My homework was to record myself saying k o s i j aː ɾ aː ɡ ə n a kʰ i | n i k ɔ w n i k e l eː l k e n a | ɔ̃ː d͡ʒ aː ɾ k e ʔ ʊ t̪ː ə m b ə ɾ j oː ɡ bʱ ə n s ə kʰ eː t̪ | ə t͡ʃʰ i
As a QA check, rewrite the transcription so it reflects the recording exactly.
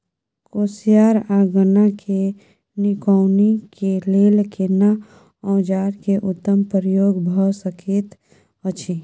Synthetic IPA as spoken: k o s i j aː ɾ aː ɡ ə n a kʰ e | n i k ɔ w n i k e l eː l k e n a | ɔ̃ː d͡ʒ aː ɾ k e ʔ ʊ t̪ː ə m p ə ɾ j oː ɡ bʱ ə s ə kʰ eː t̪ | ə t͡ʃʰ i